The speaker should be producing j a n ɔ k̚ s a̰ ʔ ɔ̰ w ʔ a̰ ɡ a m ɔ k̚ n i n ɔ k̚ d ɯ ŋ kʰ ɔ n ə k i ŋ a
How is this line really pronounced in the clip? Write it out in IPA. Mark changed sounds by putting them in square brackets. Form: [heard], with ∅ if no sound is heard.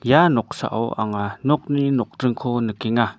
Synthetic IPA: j a n ɔ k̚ s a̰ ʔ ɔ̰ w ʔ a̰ [ŋ] a [n] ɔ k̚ n i n ɔ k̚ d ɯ ŋ kʰ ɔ n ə k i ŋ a